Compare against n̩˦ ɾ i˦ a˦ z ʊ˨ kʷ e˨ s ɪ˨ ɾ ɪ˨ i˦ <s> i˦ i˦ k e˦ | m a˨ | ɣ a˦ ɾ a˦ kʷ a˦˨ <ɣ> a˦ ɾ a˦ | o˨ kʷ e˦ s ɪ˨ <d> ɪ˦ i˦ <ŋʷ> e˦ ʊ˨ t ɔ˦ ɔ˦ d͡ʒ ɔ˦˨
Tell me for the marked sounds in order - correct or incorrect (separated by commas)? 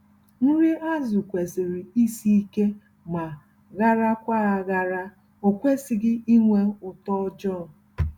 correct, correct, incorrect, correct